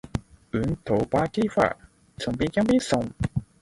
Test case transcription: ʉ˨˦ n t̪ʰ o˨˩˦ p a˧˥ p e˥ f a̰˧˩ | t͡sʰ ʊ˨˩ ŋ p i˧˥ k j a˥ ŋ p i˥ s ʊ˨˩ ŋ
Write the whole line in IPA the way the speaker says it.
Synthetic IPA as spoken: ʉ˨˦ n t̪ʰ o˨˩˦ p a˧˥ k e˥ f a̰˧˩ | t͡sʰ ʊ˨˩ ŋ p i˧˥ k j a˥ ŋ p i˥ s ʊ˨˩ ŋ